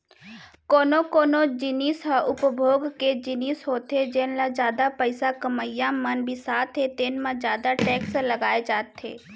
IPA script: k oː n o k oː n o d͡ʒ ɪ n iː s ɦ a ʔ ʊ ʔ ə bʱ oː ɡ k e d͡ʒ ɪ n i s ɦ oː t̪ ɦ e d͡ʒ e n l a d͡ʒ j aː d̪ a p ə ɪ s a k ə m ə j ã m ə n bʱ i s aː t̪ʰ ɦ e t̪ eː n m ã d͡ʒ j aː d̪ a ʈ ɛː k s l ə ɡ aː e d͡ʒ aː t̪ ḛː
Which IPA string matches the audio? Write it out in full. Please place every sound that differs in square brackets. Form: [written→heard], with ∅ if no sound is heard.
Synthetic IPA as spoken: k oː n o k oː n o d͡ʒ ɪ n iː s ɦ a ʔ ʊ [ʔ→p] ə bʱ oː ɡ k e d͡ʒ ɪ n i s ɦ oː t̪ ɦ e d͡ʒ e n l a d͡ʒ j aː d̪ a p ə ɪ s a k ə m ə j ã m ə n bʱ i s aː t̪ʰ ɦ e t̪ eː n m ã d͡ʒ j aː d̪ a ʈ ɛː k s l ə ɡ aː e d͡ʒ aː t̪ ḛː